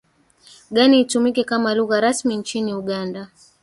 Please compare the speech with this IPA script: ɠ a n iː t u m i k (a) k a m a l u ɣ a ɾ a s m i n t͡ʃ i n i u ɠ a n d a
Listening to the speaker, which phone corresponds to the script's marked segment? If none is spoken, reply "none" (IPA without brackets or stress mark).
ɛ